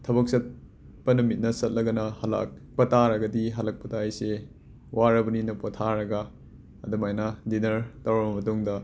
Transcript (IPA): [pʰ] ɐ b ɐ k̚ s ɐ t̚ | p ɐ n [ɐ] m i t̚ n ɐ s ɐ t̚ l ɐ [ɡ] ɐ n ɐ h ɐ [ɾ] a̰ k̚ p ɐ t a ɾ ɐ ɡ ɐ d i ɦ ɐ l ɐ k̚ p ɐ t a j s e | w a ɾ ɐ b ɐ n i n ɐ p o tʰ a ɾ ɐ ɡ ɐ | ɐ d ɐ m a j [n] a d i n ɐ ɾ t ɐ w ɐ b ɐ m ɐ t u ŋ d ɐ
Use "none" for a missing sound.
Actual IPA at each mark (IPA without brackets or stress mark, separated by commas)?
tʰ, ɐ, ɡ, l, n